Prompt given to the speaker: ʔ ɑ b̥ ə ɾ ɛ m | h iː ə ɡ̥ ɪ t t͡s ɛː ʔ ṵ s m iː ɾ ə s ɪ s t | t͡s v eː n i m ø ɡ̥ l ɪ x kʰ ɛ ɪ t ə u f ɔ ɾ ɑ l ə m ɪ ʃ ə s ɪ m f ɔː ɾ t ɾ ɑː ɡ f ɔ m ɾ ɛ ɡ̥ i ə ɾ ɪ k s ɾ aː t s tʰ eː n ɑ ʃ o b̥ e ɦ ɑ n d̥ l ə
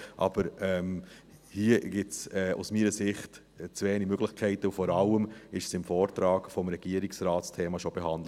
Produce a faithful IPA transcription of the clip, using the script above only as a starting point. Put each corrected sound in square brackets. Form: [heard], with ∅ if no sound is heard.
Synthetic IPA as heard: ʔ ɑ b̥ ə ɾ ɛ m | h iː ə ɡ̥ ɪ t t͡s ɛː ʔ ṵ s m iː ɾ ə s ɪ [χ] t | t͡s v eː n i m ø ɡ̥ l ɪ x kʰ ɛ ɪ t ə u f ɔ ɾ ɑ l ə m ɪ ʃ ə s ɪ m f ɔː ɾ t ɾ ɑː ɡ f ɔ m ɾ ɛ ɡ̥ i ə ɾ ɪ k s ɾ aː t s tʰ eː [m] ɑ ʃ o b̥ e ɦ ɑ n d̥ l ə